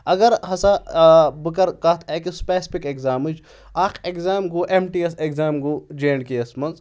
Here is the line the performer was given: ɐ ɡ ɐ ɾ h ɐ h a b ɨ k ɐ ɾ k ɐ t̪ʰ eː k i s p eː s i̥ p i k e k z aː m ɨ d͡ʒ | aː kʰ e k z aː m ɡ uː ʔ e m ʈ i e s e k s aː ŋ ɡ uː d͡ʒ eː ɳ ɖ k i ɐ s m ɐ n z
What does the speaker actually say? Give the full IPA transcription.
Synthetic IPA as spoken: ɐ ɡ ɐ ɾ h ɐ s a b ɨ k ɐ ɾ k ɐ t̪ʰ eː k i s p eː s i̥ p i k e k z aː m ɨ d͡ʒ | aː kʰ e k z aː m ɡ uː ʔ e m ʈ i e s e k z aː m ɡ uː d͡ʒ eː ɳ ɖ k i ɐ s m ɐ n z